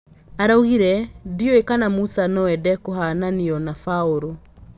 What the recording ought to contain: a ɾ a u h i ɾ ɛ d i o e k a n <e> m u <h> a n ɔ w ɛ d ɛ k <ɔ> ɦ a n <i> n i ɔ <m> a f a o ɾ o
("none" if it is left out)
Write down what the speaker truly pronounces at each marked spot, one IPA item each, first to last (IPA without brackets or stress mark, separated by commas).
a, s, o, a, n